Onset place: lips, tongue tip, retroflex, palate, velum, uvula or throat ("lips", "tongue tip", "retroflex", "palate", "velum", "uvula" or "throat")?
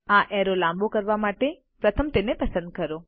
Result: throat